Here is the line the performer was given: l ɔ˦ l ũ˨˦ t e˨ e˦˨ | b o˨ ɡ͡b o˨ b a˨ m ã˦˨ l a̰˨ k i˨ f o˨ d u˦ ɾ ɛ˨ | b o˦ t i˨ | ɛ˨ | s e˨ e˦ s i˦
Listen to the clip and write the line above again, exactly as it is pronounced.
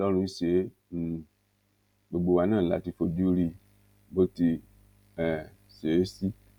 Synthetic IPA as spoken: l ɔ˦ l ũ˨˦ s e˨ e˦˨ | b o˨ ɡ͡b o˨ w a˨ n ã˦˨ l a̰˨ t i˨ f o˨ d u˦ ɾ i˨ | b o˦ t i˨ | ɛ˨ | s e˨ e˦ s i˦

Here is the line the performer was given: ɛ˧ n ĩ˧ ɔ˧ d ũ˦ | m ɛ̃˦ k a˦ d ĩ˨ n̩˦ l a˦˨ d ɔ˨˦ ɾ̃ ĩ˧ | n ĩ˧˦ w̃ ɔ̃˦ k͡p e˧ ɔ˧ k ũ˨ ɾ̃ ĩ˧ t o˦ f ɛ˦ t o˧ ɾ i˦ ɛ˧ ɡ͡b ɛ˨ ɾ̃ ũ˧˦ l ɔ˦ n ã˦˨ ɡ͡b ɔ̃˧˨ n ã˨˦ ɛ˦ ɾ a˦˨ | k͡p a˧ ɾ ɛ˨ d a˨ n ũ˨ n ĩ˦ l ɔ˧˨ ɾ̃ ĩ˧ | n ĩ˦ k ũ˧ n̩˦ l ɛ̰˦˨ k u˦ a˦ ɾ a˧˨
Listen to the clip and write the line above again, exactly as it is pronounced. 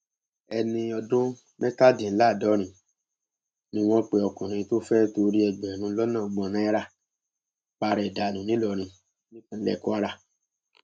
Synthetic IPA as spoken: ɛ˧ n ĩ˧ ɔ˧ d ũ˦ | m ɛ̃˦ k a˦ d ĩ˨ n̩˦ l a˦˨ d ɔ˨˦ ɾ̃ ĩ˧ | n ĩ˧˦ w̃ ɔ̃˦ k͡p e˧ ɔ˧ k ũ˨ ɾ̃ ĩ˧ t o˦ f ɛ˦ t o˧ ɾ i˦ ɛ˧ ɡ͡b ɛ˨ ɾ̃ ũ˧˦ l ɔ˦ n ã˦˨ ɡ͡b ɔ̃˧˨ n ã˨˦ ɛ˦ ɾ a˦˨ | k͡p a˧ ɾ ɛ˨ d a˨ n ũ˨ n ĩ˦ l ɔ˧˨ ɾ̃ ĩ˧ | n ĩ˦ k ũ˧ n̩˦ l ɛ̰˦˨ k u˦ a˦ ɾ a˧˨

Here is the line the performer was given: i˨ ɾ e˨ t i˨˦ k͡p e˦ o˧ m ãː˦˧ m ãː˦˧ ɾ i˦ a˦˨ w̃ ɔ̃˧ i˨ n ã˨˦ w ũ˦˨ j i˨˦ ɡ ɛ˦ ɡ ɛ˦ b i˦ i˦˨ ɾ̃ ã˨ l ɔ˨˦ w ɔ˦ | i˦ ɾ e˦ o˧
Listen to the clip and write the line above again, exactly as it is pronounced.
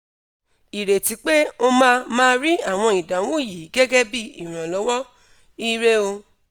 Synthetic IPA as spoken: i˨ ɾ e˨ t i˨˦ k͡p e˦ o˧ m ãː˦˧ m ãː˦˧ ɾ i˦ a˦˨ w̃ ɔ̃˧ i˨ d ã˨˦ w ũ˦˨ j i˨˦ ɡ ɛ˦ ɡ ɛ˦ b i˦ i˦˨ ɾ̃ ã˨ l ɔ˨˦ w ɔ˦ | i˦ ɾ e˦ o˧

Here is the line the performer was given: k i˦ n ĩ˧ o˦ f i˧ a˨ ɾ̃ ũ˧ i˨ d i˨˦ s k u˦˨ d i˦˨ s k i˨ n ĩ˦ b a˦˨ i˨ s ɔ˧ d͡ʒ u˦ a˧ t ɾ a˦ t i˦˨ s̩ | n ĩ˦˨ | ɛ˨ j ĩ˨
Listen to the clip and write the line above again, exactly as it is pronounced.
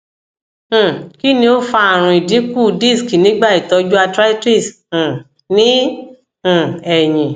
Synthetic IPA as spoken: k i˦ n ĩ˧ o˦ f a˧ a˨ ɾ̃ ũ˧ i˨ d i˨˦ k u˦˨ d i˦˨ s k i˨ n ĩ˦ ɡ͡b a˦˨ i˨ t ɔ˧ d͡ʒ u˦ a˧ t ɾ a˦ t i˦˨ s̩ | n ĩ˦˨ | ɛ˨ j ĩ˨

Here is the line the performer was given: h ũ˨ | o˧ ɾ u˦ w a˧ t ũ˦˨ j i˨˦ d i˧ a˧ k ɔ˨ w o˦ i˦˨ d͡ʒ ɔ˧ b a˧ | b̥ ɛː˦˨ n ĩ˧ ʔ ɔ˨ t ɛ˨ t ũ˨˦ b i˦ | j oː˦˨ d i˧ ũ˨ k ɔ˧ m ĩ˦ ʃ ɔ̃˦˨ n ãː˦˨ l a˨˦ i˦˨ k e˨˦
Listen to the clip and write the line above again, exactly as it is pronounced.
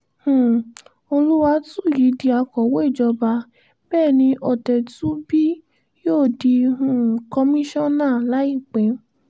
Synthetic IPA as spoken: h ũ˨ | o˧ l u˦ w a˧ t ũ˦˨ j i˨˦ d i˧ a˧ k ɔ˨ w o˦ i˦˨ d͡ʒ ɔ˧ b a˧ | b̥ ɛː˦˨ n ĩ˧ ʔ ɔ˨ t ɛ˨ t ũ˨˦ b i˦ | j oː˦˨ d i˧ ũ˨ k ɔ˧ m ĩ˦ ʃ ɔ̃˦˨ n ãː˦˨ l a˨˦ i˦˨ k͡p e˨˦

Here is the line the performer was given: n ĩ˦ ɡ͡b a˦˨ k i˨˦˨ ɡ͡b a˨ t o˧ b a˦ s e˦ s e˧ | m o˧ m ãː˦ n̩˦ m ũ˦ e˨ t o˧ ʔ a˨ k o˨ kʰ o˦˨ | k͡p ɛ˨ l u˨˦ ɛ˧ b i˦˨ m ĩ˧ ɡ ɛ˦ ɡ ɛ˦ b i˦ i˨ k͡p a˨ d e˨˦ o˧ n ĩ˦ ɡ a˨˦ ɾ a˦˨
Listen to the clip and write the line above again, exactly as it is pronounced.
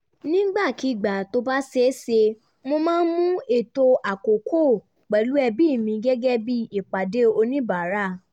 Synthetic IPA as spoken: n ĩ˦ ɡ͡b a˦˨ k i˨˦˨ ɡ͡b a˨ t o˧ b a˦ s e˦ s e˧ | m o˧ m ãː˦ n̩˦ m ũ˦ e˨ t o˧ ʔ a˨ k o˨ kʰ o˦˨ | k͡p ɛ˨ l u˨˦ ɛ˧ b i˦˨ m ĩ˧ ɡ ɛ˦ ɡ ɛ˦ b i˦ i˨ k͡p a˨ d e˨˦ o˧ n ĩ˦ b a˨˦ ɾ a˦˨

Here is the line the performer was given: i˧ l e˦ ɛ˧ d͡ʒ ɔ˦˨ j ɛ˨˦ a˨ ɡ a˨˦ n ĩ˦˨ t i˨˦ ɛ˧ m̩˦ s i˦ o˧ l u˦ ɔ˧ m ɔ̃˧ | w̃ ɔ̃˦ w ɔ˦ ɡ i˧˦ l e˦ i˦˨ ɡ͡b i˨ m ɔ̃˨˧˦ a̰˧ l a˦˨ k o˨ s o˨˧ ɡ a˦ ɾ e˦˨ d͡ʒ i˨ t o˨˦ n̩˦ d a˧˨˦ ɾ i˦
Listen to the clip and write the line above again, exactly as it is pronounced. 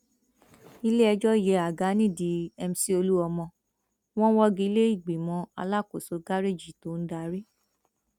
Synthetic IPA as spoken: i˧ l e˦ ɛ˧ d͡ʒ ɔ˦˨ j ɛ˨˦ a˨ ɡ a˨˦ n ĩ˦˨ d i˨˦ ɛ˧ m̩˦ s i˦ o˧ l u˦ ɔ˧ m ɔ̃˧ | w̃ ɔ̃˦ w ɔ˦ ɡ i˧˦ l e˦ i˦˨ ɡ͡b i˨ m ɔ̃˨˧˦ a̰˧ l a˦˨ k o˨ s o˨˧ ɡ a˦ ɾ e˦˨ d͡ʒ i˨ t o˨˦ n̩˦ d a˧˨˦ ɾ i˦

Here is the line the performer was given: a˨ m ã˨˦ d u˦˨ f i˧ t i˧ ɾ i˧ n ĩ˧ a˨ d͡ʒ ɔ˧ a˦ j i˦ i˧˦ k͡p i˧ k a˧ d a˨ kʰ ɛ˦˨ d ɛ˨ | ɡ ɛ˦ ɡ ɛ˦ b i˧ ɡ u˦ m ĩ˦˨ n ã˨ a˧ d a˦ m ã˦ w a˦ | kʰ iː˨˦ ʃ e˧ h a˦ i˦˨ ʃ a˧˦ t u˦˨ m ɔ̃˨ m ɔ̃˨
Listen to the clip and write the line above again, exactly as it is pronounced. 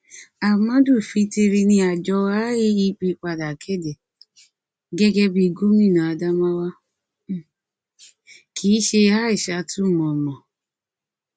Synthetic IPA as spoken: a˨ m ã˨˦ d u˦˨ f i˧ t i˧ ɾ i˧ n ĩ˧ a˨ d͡ʒ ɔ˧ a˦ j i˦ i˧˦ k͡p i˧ k͡p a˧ d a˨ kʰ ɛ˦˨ d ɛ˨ | ɡ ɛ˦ ɡ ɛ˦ b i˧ ɡ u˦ m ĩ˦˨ n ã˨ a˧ d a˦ m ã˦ w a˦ | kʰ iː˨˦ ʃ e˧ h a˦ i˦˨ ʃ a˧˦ t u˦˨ m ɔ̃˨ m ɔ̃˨

